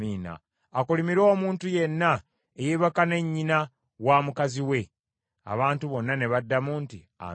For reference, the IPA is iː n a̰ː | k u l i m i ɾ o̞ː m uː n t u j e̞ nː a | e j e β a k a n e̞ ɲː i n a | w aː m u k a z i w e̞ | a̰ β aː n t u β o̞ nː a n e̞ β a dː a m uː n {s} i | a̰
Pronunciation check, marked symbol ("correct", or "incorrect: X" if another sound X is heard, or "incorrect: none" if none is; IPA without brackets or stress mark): incorrect: t